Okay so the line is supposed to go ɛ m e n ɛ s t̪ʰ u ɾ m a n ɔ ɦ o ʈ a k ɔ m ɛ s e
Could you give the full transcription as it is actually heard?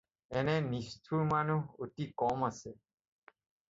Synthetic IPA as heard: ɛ n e n i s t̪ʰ u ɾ m a n u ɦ o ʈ i k ɔ m a s e